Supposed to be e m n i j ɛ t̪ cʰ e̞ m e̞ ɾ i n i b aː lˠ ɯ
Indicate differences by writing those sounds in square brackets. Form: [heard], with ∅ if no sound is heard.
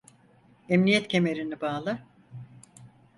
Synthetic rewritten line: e m n i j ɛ t̪ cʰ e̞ m e̞ ɾ i n i b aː lˠ ɯ